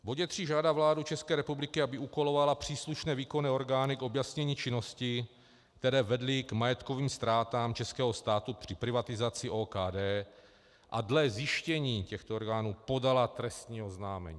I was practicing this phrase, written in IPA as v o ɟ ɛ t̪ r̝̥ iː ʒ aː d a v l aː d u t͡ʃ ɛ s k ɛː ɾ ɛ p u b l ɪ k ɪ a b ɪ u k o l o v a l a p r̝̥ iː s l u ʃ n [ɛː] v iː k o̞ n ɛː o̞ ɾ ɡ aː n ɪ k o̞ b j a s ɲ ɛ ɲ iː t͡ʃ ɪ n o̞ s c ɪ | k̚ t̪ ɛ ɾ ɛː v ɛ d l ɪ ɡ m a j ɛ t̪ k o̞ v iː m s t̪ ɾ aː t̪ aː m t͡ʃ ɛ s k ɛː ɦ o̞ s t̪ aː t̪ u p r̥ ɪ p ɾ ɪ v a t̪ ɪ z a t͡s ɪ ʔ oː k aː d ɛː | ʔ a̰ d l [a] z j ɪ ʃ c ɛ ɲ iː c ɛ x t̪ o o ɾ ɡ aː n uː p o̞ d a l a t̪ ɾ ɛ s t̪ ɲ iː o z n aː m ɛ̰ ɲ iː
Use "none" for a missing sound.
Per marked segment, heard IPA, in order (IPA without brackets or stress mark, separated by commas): ɛː, ɛ